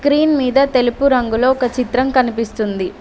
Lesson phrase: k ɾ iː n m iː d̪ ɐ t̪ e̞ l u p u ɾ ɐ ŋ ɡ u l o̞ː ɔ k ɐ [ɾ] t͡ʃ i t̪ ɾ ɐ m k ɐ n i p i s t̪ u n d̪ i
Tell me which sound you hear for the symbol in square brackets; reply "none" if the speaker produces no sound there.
none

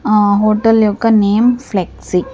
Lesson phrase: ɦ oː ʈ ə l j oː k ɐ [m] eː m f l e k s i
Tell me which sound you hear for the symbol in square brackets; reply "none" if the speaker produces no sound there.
n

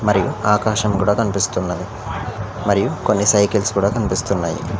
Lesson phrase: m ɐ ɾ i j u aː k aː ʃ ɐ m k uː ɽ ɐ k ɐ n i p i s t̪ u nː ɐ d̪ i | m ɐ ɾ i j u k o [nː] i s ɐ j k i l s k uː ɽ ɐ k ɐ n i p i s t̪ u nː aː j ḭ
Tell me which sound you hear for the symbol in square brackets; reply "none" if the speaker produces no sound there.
nː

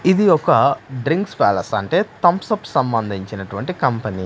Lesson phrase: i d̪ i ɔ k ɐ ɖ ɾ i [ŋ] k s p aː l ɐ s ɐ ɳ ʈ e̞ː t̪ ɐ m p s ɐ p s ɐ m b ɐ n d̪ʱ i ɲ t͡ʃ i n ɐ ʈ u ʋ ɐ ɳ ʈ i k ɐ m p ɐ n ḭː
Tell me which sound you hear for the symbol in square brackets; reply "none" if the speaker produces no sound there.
ŋ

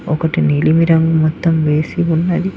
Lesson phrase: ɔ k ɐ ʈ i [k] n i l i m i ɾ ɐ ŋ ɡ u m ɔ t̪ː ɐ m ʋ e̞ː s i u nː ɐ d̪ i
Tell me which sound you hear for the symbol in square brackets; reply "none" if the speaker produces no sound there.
none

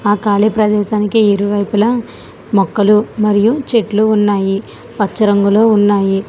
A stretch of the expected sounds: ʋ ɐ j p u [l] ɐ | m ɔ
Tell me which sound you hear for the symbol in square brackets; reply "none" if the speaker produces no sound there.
l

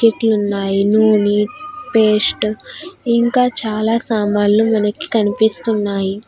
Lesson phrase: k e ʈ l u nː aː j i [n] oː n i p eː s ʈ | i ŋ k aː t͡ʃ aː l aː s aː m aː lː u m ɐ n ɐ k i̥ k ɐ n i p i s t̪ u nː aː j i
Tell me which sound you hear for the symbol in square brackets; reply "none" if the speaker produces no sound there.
n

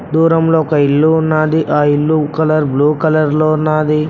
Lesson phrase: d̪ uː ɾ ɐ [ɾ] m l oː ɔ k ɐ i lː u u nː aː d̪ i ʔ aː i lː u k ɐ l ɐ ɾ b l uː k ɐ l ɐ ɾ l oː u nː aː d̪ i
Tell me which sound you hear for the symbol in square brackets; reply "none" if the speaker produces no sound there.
none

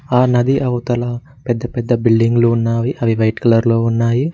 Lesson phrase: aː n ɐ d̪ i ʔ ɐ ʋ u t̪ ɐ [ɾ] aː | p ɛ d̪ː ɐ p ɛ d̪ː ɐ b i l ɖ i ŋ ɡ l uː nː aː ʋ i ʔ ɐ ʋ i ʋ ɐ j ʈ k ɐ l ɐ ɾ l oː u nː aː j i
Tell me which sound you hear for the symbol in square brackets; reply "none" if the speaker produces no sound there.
l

